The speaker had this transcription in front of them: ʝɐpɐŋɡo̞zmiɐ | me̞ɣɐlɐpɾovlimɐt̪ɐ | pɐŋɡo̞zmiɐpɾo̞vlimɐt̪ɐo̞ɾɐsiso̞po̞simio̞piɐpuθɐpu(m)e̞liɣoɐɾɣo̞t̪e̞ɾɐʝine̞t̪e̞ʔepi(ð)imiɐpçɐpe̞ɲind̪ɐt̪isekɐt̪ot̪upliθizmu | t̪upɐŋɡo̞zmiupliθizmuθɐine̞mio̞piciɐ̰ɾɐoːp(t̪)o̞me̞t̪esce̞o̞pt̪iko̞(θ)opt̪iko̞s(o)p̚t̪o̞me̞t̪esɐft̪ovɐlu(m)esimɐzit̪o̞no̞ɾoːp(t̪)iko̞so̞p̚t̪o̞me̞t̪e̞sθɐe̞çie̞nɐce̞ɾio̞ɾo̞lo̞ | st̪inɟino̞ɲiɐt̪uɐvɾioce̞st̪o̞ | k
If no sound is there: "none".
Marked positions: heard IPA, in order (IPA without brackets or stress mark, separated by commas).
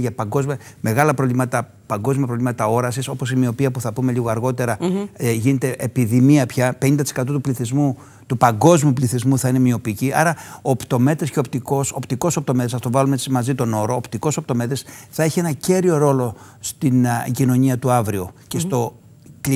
m, ð, t̪, s, o, m, t̪